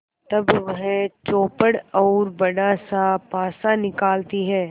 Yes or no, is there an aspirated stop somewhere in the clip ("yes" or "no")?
no